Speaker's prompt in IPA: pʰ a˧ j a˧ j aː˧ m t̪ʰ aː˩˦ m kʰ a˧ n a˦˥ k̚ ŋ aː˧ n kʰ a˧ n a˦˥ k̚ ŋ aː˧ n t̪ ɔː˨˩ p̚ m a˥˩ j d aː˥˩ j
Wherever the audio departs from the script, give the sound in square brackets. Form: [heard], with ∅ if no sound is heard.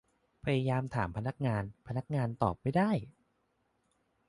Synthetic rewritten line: pʰ a˧ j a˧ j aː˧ m t̪ʰ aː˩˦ m [pʰ] a˧ n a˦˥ k̚ ŋ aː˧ n [pʰ] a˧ n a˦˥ k̚ ŋ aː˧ n t̪ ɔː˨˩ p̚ m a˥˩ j d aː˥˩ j